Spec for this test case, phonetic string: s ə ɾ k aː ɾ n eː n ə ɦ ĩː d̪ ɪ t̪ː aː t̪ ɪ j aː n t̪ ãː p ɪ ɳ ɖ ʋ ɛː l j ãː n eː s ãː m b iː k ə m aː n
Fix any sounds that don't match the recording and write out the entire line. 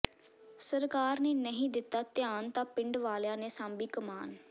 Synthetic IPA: s ə ɾ k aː ɾ n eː n ə ɦ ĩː d̪ ɪ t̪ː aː t̪ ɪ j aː n t̪ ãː p ɪ ɳ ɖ ʋ aː l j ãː n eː s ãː m b iː k ə m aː n